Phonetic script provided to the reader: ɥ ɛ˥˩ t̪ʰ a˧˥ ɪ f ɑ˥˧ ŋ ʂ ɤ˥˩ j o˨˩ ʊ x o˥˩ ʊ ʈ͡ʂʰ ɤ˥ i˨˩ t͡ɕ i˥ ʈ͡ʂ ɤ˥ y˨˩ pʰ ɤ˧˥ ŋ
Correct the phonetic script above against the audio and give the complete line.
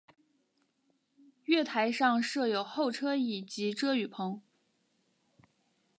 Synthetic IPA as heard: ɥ ɛ˥˩ t̪ʰ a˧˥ ɪ ʂ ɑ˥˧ ŋ ʂ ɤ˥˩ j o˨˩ ʊ x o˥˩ ʊ ʈ͡ʂʰ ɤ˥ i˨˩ t͡ɕ i˧˥ ʈ͡ʂ ɤ˥ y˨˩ pʰ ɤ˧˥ ŋ